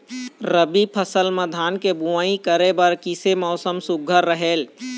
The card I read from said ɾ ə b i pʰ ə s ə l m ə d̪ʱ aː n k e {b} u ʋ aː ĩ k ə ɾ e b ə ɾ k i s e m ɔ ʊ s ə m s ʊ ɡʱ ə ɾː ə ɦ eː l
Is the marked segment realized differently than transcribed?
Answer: no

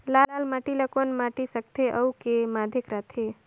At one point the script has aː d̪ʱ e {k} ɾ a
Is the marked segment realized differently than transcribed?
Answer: no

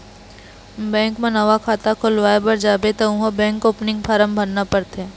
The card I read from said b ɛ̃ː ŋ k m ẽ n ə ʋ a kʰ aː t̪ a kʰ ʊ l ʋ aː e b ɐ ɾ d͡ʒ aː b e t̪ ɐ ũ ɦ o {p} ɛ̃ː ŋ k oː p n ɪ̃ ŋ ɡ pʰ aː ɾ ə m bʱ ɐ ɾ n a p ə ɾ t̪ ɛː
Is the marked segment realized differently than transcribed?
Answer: yes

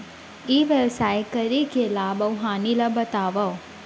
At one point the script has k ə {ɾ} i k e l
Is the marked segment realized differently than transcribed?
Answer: no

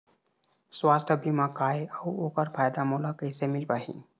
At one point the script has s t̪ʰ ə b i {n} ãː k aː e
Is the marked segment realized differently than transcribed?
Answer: yes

